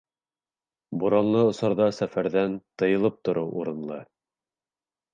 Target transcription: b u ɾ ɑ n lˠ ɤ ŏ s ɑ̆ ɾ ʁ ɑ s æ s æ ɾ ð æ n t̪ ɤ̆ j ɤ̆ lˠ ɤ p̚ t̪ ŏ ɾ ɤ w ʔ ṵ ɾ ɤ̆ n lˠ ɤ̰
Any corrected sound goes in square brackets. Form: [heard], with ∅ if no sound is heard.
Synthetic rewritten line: b u ɾ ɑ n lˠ ɤ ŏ s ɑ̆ ɾ [ð] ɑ s æ [f] æ ɾ ð æ n t̪ ɤ̆ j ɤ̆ lˠ ɤ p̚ t̪ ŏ ɾ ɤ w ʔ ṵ ɾ ɤ̆ n lˠ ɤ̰